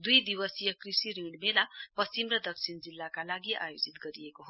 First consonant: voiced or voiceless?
voiced